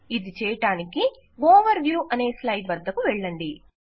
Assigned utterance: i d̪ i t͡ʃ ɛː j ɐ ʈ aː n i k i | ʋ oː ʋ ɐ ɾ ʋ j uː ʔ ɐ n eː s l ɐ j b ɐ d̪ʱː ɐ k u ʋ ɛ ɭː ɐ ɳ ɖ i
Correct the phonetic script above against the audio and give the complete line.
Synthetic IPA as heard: i d̪ i t͡ʃ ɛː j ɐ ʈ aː n i k i | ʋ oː ʋ ɐ ɾ ʋ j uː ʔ ɐ n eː s l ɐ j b ɐ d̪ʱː ɐ k u ʋ ɛ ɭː ɐ ɳ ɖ i